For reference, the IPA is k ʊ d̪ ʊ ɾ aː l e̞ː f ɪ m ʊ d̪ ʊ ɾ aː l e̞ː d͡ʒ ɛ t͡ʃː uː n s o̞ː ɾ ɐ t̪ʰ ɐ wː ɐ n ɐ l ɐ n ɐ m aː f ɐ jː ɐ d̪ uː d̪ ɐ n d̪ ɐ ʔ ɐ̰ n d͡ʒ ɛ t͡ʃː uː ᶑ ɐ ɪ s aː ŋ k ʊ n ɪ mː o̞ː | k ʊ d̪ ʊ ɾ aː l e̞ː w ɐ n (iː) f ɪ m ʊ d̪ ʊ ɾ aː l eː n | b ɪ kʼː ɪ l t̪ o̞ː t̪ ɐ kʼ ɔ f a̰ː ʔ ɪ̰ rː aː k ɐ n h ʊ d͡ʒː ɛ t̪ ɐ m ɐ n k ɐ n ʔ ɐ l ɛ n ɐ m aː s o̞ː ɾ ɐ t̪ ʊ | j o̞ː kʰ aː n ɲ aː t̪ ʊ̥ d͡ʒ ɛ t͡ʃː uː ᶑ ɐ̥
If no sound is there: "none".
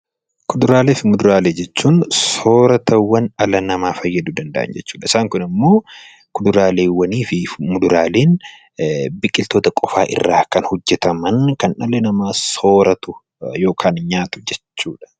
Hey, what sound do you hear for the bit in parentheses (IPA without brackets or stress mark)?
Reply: iː